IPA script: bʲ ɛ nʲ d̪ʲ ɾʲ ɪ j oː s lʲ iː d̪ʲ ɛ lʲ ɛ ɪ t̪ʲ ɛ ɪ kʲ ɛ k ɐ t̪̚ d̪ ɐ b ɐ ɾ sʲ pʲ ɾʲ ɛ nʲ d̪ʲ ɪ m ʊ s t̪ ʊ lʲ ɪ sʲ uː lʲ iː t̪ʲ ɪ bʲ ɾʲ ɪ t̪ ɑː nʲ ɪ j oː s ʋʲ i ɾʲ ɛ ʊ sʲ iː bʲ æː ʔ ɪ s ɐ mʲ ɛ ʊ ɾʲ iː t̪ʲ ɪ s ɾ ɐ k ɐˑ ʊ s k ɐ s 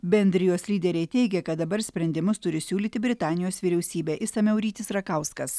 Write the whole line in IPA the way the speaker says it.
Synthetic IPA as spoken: bʲ ɛ nʲ d̪ʲ ɾʲ ɪ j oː s lʲ iː d̪ʲ ɛ ɾʲ ɛ ɪ t̪ʲ ɛ ɪ ɡʲ ɛ k ɐ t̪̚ d̪ ɐ b ɐ ɾ sʲ pʲ ɾʲ ɛ nʲ d̪ʲ ɪ m ʊ s t̪ ʊ ɾʲ ɪ sʲ uː lʲ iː t̪ʲ ɪ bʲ ɾʲ ɪ t̪ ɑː nʲ ɪ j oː s ʋʲ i ɾʲ ɛ ʊ sʲ iː bʲ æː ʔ ɪ s ɐ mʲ ɛ ʊ ɾʲ iː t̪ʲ ɪ s ɾ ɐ k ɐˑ ʊ s k ɐ s